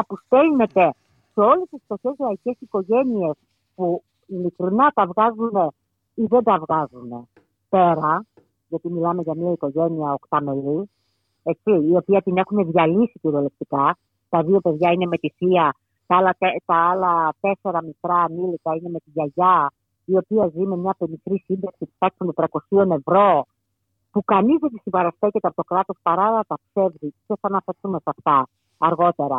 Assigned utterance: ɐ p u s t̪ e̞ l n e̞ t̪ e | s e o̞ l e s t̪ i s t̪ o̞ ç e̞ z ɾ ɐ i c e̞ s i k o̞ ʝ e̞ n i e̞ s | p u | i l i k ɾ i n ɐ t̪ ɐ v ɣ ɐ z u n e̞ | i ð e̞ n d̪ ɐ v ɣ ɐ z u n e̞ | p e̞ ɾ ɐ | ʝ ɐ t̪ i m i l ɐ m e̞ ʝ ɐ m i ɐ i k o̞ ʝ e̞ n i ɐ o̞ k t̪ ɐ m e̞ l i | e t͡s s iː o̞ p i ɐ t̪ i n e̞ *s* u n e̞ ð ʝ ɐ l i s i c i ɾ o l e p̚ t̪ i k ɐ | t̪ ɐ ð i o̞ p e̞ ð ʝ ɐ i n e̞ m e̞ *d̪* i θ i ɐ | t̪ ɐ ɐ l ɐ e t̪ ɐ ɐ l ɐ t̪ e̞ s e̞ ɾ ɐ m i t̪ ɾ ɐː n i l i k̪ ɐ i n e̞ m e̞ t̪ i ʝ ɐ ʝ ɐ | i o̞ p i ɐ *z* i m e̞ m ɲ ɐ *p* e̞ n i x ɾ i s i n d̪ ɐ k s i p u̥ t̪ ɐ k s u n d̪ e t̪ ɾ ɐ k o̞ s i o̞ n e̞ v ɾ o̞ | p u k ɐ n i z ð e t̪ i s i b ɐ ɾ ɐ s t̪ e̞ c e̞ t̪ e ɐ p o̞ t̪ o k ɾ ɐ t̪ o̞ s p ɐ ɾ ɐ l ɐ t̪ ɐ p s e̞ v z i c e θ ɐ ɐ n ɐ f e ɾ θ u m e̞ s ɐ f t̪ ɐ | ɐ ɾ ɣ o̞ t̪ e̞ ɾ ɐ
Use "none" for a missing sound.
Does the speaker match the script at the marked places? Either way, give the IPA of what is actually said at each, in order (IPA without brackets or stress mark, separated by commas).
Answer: x, t̪, z, p